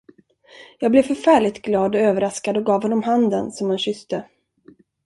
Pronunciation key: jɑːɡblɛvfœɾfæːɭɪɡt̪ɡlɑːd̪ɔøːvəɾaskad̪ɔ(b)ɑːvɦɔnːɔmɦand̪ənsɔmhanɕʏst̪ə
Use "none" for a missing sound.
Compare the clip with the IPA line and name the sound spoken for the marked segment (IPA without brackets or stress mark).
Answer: ɡ